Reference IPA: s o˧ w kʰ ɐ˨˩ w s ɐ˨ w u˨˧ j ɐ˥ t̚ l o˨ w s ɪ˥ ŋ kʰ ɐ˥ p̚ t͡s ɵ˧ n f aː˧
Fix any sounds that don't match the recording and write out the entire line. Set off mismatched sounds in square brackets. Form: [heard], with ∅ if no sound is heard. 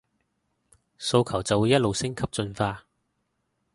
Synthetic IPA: s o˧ w kʰ ɐ˨˩ w [t͡s] ɐ˨ w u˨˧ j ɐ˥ t̚ l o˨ w s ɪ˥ ŋ kʰ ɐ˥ p̚ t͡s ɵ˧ n f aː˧